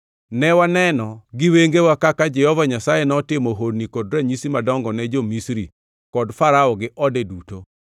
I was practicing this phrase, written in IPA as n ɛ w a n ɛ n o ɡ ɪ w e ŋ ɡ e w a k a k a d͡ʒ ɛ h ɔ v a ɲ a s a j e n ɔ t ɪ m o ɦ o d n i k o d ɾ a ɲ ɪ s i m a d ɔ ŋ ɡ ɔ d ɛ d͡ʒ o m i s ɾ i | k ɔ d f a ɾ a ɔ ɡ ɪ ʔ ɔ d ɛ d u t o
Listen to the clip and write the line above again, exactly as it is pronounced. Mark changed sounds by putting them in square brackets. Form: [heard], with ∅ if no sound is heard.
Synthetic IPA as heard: n ɛ w a n ɛ n [ɔ] ɡ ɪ w e ŋ ɡ e w a k a k a d͡ʒ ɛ h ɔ v a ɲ a s a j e n ɔ t ɪ m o ɦ o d n i k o d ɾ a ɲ [i] s i m a d ɔ ŋ ɡ ɔ [n] ɛ d͡ʒ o m i s ɾ i | k ɔ d f a ɾ a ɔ ɡ ɪ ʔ ɔ d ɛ d u t o